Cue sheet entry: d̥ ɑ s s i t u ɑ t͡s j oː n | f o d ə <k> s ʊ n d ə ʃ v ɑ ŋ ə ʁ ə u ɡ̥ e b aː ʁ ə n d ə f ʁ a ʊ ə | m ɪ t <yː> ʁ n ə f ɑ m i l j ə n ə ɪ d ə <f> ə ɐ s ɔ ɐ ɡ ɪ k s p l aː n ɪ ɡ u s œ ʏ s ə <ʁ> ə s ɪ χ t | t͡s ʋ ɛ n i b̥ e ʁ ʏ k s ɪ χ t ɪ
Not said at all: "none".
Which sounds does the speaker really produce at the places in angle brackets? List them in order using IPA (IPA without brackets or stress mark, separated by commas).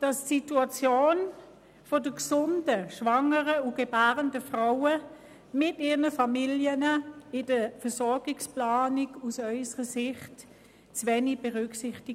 k, iː, f, ʁ